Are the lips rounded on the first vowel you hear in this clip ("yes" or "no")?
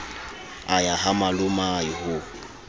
no